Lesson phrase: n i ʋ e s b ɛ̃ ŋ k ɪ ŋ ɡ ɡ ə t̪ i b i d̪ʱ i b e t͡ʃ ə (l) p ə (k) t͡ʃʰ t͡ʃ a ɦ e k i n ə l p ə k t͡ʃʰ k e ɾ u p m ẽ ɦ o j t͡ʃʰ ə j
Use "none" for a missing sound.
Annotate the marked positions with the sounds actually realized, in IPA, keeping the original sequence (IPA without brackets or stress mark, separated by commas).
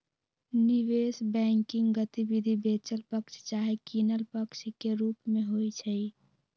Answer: l, k